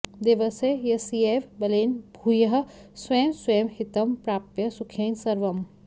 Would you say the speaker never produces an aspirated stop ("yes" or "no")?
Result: no